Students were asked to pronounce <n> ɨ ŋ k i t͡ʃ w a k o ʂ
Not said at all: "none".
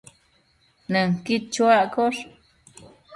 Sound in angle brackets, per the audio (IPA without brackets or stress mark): n